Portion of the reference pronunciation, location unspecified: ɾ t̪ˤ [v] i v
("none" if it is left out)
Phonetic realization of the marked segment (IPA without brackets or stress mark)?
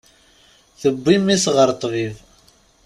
v